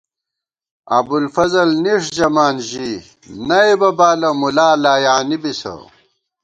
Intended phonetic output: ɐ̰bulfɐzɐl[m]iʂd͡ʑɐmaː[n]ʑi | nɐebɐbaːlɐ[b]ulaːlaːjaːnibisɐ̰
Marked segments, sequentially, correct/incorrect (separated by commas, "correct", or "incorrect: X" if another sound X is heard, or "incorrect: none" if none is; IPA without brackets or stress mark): incorrect: n, correct, incorrect: m